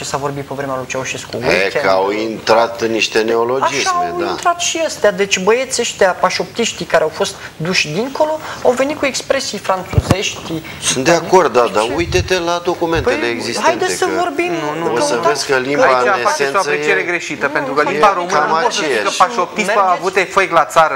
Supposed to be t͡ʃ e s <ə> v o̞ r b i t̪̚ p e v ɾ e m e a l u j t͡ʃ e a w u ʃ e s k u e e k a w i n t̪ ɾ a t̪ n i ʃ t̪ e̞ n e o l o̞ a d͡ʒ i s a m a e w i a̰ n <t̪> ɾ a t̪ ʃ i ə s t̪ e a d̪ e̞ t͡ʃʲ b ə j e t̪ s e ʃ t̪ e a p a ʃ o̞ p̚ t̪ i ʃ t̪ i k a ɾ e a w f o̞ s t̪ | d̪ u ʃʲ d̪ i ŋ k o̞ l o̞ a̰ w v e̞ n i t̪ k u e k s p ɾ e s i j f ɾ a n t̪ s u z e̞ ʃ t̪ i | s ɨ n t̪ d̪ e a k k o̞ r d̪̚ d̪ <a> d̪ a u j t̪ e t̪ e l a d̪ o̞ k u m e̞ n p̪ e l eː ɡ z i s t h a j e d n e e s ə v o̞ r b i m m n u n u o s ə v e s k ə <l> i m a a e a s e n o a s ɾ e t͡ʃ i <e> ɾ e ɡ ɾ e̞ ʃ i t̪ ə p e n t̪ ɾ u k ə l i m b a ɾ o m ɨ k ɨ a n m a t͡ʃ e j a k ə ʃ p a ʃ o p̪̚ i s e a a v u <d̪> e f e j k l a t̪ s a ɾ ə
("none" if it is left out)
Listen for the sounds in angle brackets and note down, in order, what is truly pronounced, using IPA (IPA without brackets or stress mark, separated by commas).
a, t̪, a, l, e, t̪